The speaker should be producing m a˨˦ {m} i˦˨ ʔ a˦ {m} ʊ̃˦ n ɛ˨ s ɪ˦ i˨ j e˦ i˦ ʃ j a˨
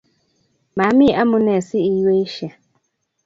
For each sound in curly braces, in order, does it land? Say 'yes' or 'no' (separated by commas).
yes, yes